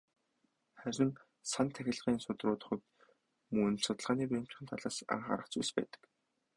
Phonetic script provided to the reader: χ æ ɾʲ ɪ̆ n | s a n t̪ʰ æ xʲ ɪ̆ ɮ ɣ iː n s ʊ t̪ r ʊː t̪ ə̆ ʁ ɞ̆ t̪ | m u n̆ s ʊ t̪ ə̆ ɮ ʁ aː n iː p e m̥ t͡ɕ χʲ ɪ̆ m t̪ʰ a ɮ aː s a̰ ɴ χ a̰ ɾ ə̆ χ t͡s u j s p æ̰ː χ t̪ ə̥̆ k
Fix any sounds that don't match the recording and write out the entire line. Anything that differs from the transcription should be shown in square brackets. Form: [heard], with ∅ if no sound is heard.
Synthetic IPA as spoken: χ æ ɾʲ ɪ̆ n | s a n t̪ʰ æ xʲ ɪ̆ ɮ [ʁ] iː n s ʊ t̪ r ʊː t̪ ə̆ [χ] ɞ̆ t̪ | m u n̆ s ʊ t̪ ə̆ ɮ ʁ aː n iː p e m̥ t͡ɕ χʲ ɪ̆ [n] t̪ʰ a ɮ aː s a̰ ɴ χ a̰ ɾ ə̆ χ t͡s u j s p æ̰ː [∅] t̪ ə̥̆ k